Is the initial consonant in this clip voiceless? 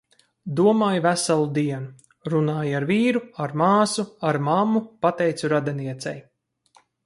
no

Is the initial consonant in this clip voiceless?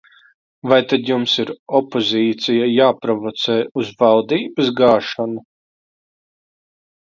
no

